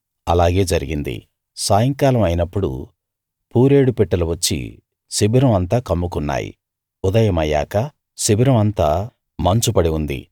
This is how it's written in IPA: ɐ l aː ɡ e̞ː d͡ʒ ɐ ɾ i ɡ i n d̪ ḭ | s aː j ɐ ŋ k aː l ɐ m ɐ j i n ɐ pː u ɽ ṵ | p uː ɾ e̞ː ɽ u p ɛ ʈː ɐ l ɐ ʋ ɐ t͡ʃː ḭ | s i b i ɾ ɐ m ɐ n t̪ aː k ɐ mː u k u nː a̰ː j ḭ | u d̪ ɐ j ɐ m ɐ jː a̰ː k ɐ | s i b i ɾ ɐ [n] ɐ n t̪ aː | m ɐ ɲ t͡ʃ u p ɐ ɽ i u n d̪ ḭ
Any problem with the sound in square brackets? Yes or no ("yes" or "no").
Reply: yes